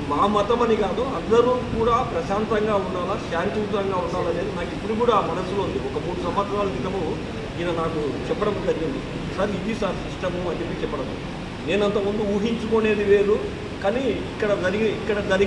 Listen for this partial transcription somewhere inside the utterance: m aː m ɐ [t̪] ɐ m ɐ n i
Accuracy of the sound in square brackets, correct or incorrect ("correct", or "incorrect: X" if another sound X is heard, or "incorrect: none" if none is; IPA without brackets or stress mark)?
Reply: correct